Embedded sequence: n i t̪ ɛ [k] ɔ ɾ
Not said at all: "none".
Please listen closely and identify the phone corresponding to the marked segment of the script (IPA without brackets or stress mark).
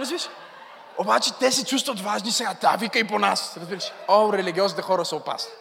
x